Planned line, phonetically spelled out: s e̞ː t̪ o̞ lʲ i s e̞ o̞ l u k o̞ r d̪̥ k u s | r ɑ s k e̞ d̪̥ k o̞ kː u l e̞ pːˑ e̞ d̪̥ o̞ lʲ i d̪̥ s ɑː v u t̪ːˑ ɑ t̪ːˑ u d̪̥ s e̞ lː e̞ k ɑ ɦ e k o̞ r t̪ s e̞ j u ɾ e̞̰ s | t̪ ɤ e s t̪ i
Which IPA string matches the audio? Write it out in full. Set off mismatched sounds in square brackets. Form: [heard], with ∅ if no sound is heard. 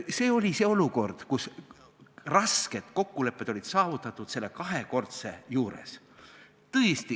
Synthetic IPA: s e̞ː [∅] o̞ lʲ i s e̞ o̞ l u k o̞ r d̪̥ k u s | r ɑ s k e̞ d̪̥ k o̞ kː u l e̞ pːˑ e̞ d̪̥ o̞ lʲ i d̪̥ s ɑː v u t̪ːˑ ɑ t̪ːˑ u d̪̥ s e̞ lː e̞ k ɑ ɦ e k o̞ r t̪ s e̞ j [uː] ɾ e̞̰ s | t̪ ɤ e s t̪ i